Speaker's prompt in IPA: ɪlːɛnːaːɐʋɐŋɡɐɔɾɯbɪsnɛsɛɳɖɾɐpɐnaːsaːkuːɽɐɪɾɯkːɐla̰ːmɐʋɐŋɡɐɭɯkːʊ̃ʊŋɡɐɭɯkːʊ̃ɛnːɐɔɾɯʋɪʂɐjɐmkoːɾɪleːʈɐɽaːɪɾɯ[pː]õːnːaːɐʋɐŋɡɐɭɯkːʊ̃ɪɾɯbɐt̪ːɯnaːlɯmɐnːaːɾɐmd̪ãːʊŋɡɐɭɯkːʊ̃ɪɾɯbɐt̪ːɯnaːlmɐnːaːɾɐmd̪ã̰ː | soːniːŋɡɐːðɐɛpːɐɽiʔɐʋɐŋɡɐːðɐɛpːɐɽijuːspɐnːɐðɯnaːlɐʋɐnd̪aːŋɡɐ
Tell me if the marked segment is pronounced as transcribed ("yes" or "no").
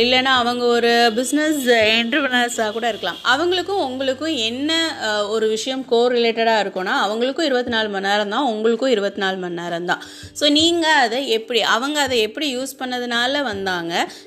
no